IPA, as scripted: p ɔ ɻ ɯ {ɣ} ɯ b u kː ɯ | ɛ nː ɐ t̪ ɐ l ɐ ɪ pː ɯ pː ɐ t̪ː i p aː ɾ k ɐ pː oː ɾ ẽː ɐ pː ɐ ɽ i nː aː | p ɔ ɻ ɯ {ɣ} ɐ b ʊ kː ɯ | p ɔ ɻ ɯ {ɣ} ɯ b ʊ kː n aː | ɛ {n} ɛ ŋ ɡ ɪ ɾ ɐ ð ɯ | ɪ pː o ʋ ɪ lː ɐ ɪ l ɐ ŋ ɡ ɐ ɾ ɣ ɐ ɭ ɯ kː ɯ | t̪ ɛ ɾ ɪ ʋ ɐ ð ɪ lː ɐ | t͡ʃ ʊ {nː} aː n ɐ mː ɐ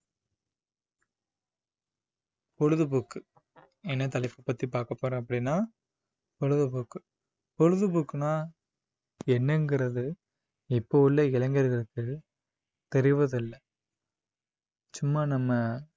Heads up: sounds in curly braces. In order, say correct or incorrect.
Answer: incorrect, incorrect, incorrect, incorrect, incorrect

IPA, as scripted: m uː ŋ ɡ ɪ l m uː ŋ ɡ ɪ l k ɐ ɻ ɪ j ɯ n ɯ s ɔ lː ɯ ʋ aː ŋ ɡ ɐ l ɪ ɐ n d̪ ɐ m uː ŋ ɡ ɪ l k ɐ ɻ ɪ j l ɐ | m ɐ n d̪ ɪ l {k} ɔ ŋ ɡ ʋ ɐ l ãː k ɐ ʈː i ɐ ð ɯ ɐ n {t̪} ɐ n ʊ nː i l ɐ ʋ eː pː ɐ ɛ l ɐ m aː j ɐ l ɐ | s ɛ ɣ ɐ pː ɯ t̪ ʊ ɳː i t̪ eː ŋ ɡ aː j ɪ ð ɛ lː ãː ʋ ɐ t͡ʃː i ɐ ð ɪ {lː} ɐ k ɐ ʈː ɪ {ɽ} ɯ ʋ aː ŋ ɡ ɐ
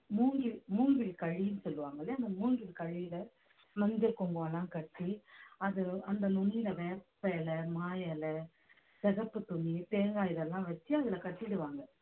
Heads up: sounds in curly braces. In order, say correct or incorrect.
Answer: correct, incorrect, incorrect, correct

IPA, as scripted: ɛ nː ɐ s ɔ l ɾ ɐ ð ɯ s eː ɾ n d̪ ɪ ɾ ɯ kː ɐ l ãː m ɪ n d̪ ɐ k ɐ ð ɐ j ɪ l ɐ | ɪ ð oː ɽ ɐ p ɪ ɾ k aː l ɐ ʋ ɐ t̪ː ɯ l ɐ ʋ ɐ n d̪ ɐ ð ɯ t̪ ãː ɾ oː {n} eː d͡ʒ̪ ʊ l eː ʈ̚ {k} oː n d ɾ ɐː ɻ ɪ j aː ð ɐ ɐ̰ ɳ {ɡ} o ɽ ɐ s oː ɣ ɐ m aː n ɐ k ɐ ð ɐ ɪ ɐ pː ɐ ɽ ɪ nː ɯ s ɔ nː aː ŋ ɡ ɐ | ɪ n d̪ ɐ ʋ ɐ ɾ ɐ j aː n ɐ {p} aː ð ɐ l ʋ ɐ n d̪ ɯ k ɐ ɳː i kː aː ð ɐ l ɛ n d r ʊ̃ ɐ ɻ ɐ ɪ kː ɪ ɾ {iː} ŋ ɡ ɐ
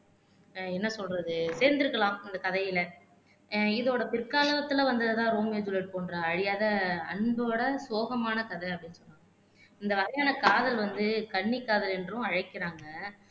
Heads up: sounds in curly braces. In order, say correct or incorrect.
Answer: incorrect, incorrect, incorrect, incorrect, incorrect

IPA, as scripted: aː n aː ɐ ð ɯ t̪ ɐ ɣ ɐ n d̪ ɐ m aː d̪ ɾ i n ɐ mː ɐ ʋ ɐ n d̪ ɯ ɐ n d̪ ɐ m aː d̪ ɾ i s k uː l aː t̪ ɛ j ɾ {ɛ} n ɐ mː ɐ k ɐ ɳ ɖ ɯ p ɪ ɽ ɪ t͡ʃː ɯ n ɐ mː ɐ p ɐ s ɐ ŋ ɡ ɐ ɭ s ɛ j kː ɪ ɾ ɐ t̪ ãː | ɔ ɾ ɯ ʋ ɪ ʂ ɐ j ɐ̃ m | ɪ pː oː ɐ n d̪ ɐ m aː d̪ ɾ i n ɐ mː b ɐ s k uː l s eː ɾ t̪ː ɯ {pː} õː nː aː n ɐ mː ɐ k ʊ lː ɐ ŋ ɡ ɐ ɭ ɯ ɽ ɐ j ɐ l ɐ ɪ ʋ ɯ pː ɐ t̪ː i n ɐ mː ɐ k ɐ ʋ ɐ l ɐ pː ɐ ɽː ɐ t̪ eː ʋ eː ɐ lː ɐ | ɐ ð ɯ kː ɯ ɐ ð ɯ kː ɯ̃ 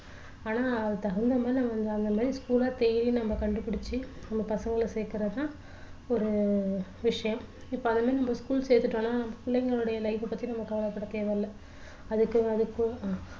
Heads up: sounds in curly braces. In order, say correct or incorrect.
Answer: incorrect, incorrect

